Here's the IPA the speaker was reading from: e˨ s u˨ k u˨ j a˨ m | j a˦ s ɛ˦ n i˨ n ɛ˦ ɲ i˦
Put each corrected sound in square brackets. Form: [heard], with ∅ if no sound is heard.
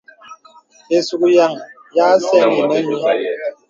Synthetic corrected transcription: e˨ s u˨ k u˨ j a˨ [ŋ] | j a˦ s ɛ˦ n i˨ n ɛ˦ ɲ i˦